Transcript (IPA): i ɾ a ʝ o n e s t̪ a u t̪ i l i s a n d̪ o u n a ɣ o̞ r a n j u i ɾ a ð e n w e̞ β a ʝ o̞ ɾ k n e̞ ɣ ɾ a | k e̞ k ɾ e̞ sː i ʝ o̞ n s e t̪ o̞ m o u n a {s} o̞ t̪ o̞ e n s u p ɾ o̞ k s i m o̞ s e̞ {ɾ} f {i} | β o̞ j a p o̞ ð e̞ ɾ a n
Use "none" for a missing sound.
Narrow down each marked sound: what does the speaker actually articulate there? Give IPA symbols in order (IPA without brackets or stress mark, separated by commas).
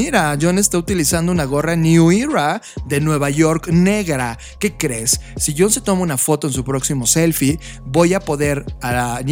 f, l, i